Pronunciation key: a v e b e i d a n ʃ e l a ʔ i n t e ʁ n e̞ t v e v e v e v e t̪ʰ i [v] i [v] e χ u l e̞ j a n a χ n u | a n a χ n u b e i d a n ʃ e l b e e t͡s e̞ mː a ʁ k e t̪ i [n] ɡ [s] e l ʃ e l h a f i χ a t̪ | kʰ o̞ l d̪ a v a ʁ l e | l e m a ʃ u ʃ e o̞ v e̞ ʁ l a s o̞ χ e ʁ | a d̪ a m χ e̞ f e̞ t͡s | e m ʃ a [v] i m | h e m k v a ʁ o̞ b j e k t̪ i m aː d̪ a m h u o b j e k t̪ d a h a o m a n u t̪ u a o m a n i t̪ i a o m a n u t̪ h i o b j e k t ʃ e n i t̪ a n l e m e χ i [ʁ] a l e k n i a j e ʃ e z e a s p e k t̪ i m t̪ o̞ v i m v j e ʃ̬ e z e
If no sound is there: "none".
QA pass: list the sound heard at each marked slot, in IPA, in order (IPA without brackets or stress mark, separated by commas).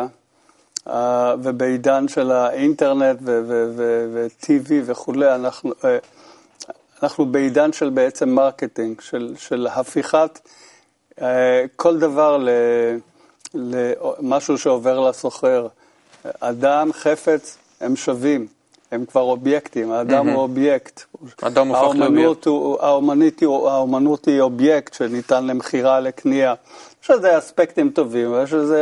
v, v, ŋ, ʃ, v, ʁ